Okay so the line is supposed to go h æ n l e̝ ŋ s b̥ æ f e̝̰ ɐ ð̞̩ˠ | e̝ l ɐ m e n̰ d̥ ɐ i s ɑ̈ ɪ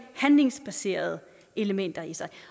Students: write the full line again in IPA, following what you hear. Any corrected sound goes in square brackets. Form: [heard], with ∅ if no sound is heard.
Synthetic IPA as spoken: h æ n l e̝ ŋ s b̥ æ [s] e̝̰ ɐ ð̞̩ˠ | e̝ l [ə] m e n̰ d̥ ɐ i s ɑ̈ ɪ